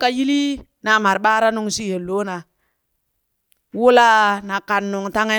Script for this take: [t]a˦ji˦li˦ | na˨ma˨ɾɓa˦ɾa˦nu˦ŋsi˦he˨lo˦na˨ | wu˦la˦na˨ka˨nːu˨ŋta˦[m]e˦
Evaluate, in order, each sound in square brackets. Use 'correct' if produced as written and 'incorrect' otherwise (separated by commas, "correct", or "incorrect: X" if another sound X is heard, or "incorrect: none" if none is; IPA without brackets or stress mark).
incorrect: k, incorrect: ŋ